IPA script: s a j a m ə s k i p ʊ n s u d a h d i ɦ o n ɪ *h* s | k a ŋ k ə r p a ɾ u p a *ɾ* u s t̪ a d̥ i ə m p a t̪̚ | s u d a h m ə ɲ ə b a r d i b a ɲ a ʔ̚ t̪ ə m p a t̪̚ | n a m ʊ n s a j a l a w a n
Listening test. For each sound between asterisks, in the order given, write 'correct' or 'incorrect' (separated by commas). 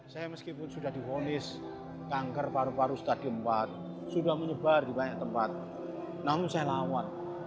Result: incorrect, correct